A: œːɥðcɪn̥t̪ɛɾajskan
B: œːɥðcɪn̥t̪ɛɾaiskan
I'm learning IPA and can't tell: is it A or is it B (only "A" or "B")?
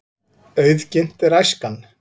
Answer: A